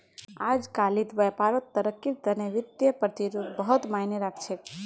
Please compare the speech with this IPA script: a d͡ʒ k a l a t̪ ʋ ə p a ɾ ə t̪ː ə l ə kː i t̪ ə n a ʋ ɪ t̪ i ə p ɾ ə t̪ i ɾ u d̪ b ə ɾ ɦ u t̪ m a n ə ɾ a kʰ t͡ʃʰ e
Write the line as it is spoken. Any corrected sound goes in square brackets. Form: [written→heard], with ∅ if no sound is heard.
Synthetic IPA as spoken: a d͡ʒ k a l [a→i] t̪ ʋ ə p a ɾ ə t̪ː ə [l→ɾ] ə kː i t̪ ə n [a→e] ʋ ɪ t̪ [i→j] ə p ɾ ə t̪ i ɾ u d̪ b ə [ɾ→∅] ɦ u t̪ m a n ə ɾ a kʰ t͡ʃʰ e